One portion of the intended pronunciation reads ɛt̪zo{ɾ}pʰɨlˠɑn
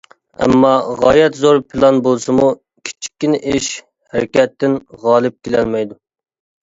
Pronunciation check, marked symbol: correct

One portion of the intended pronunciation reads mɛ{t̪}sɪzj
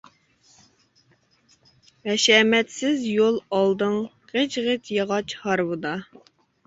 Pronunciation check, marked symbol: correct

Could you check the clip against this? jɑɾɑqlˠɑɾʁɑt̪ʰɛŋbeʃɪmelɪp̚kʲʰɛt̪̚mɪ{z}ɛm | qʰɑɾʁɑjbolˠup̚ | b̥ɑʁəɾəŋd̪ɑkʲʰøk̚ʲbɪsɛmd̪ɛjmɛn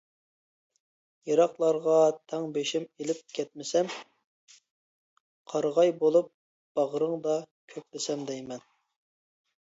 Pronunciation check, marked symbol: incorrect: s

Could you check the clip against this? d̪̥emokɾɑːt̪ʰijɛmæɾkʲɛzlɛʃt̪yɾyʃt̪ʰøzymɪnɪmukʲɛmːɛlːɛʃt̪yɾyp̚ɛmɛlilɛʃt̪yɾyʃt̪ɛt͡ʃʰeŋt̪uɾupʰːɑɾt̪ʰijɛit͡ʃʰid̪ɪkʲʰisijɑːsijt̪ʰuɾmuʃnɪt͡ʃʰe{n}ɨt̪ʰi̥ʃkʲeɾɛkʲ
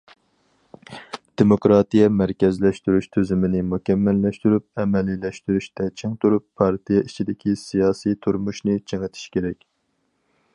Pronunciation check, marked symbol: incorrect: ŋ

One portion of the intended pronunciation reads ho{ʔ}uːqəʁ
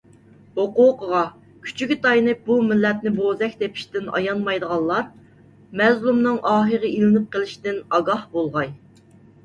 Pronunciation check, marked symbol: incorrect: q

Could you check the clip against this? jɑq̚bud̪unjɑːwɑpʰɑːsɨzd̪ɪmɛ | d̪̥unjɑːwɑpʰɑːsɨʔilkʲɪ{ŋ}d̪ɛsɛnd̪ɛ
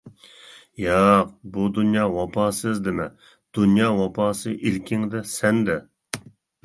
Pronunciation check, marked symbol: correct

